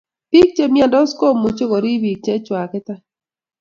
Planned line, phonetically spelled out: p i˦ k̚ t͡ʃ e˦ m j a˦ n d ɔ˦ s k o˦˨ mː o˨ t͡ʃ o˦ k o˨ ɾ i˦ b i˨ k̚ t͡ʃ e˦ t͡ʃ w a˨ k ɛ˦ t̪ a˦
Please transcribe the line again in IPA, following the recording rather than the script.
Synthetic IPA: p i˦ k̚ t͡ʃ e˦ m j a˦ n d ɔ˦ s k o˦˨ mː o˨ t͡ʃ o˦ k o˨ ɾ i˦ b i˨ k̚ t͡ʃ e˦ t͡ʃ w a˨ k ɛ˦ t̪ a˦